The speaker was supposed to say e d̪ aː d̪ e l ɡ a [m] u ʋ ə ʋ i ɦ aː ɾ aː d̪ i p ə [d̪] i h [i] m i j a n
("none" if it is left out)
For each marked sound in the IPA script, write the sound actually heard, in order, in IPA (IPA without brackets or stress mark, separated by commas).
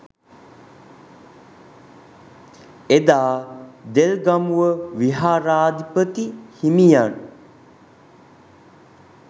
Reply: m, t̪, i